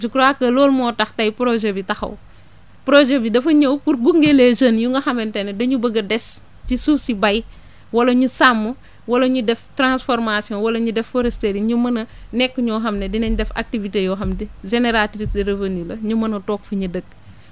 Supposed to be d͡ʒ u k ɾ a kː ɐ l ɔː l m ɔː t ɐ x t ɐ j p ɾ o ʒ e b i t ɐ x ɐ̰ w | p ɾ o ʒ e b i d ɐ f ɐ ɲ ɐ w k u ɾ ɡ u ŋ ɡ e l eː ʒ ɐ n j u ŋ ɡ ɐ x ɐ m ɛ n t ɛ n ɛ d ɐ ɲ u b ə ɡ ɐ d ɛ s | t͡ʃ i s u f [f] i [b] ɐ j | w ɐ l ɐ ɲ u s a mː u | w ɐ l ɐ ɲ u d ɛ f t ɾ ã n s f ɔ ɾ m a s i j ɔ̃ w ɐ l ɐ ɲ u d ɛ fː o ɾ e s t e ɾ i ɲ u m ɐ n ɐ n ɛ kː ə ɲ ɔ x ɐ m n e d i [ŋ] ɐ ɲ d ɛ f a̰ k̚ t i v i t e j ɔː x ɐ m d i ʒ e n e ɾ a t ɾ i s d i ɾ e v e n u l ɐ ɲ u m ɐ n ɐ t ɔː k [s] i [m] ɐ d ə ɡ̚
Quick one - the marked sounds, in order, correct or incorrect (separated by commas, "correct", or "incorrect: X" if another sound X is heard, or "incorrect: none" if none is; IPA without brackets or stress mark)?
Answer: incorrect: s, correct, incorrect: n, incorrect: f, incorrect: ɲ